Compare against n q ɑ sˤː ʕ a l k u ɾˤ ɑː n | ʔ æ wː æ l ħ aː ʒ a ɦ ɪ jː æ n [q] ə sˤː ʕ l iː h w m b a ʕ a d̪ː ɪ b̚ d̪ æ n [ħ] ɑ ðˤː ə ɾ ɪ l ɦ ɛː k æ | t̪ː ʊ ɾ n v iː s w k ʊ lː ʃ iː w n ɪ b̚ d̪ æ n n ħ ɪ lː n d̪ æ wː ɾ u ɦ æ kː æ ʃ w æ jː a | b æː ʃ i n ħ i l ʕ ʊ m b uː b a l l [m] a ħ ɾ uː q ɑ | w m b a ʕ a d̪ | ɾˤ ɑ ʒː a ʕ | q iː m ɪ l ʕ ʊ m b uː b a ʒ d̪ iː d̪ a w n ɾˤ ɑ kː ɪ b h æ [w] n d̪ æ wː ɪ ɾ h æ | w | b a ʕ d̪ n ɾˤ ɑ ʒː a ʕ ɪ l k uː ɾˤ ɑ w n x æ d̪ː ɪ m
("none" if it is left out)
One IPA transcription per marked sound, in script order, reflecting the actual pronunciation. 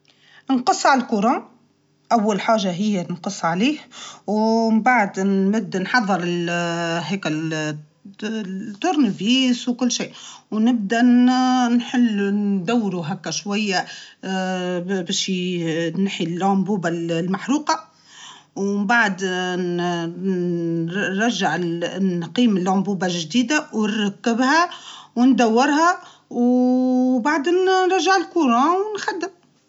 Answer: q, ħ, m, w

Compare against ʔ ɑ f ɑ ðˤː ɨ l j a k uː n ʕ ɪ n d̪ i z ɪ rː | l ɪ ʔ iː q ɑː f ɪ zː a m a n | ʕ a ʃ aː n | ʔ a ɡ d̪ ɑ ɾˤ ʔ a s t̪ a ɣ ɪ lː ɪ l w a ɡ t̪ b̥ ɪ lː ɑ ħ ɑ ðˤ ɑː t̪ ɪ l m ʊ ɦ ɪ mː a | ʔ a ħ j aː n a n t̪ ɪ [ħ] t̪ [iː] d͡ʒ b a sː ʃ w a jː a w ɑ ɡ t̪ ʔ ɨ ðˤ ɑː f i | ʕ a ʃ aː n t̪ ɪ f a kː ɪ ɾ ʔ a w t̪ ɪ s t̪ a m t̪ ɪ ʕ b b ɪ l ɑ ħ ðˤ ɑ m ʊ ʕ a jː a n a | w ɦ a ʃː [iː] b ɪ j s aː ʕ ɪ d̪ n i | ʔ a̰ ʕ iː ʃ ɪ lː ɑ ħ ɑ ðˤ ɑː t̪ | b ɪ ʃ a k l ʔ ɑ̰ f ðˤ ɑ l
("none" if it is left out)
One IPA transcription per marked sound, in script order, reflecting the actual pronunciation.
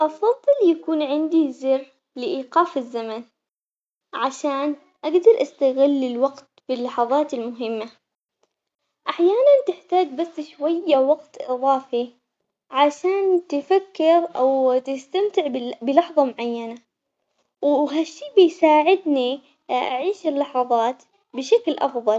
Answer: ħ, aː, iː

